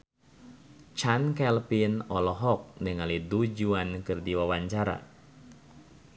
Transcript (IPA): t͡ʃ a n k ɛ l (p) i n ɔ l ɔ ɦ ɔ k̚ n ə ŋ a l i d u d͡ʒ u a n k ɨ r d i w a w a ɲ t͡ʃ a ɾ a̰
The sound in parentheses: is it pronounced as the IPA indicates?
yes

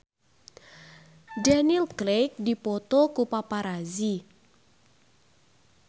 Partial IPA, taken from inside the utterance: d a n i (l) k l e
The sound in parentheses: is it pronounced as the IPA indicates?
yes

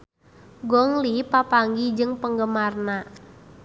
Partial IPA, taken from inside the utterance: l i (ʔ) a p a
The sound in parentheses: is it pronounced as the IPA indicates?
no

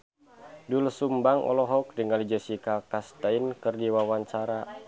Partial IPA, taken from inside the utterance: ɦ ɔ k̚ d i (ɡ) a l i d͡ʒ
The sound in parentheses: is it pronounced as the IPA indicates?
no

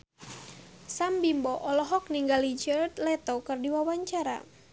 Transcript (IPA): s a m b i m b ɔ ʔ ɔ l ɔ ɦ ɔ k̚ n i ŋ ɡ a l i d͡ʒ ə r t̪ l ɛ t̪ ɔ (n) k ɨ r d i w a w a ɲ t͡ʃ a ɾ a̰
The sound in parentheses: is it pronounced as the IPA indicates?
no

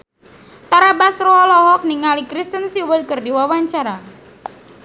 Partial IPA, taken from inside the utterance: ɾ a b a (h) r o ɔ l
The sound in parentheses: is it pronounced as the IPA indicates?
no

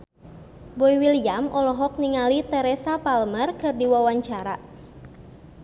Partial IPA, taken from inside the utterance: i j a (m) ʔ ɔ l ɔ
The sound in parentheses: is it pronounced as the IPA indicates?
yes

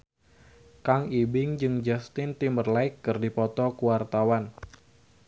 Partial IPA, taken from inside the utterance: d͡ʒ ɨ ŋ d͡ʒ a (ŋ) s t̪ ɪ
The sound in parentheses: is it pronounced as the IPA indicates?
no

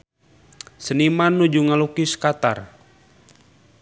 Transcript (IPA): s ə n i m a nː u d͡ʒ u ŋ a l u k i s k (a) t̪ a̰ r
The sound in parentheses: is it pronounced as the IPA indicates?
yes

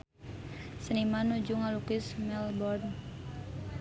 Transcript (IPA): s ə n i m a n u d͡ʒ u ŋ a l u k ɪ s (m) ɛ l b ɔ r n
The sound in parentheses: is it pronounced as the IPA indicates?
yes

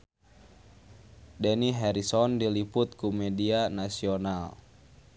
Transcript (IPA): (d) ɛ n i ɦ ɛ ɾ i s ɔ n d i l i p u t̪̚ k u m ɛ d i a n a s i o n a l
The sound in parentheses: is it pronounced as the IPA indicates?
yes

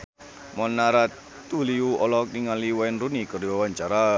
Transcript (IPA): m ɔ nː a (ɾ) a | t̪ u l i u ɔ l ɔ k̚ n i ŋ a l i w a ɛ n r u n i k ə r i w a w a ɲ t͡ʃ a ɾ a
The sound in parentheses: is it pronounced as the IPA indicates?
yes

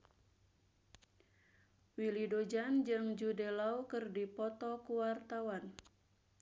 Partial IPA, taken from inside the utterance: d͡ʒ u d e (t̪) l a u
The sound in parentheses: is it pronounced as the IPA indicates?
no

